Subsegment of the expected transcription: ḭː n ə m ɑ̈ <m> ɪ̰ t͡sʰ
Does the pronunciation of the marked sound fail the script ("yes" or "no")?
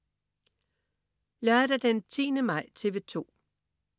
yes